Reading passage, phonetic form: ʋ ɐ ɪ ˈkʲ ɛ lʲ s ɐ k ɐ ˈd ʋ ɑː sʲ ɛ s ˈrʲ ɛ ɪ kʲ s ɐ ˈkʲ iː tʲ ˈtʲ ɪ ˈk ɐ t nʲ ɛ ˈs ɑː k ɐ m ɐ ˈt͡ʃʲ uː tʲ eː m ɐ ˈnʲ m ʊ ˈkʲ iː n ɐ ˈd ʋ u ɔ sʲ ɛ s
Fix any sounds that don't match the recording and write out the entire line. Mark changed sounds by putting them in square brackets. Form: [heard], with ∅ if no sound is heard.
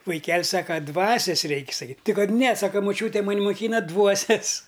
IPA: ʋ ɐ ɪ ˈkʲ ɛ lʲ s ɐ k ɐ ˈd ʋ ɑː sʲ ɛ s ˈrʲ ɛ ɪ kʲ s ɐ ˈkʲ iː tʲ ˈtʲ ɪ ˈk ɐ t nʲ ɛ ˈs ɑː k ɐ m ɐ ˈt͡ʃʲ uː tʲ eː m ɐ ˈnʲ m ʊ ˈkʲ iː n ɐ ˈd ʋ u ɔ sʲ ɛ s